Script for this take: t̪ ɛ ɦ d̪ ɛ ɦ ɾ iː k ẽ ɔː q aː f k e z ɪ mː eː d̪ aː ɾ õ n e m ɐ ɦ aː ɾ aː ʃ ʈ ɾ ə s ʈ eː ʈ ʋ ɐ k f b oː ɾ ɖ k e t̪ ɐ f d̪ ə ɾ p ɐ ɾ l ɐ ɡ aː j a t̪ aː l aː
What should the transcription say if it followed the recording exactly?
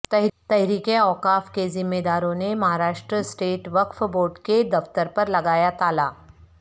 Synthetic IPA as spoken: t̪ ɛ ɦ t̪ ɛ ɦ ɾ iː k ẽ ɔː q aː f k e z ɪ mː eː d̪ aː ɾ õ n e m ɐ ɦ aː ɾ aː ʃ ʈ ɾ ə s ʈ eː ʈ ʋ ɐ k f b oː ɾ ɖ k e d̪ ɐ f t̪ ə ɾ p ɐ ɾ l ɐ ɡ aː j a t̪ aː l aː

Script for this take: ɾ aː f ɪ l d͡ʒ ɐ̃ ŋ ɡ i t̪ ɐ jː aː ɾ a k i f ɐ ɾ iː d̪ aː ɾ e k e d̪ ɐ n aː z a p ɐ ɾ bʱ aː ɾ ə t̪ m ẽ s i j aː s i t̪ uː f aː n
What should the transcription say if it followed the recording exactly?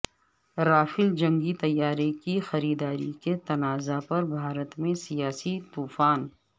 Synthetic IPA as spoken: ɾ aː f ɪ l d͡ʒ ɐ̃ ŋ ɡ i t̪ ɐ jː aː ɾ e k i x ɐ ɾ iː d̪ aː ɾ i k e t̪ ɐ n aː z a p ɐ ɾ bʱ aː ɾ ə t̪ m ẽ s i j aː s i t̪ uː f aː n

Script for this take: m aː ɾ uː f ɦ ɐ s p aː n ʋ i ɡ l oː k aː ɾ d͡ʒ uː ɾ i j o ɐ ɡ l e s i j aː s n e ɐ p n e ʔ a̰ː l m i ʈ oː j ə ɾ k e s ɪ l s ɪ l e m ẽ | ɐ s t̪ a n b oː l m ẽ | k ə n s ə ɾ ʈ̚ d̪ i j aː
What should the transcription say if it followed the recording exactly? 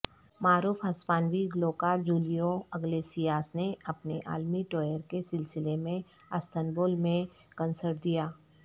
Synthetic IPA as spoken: m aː ɾ uː f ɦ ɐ s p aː n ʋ i ɡ l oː k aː ɾ d͡ʒ uː l i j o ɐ ɡ l e s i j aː s n e ɐ p n e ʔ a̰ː l m i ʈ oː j ə ɾ k e s ɪ l s ɪ l e m ẽ | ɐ s t̪ ə n b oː l m ẽ | k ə n s ə ɾ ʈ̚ d̪ i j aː

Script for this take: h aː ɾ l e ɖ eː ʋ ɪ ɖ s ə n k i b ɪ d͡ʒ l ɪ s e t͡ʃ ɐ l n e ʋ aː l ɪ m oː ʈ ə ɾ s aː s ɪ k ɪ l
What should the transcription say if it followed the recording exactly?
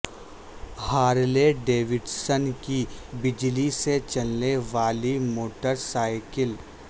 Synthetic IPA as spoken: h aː ɾ l e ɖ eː ʋ ɪ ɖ s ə n k i b ɪ d͡ʒ l i s e t͡ʃ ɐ l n e ʋ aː l i m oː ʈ ə ɾ s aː ɪ k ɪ l

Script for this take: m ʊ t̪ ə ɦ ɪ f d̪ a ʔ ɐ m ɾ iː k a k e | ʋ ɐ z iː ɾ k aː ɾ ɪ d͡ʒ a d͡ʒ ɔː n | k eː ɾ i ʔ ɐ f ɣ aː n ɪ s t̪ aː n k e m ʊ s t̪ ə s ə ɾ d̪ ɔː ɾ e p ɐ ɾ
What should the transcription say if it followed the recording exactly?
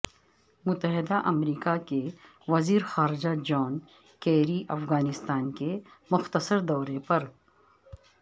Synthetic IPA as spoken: m ʊ t̪ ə ɦ ɪ d̪ a ʔ ɐ m ɾ iː k a k e | ʋ ɐ z iː ɾ x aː ɾ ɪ d͡ʒ a d͡ʒ ɔː n | k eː ɾ i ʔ ɐ f ɣ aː n ɪ s t̪ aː n k e m ʊ x t̪ ə s ə ɾ d̪ ɔː ɾ e p ɐ ɾ

